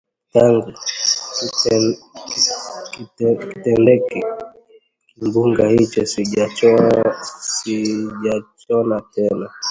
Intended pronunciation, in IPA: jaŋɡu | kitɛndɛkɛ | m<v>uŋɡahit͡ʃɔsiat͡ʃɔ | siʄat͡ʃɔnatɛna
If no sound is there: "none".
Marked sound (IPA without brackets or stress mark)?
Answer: b